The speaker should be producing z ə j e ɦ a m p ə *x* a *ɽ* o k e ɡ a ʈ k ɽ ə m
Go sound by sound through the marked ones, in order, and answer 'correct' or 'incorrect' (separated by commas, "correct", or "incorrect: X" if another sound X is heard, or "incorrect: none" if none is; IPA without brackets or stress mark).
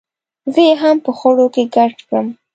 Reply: correct, correct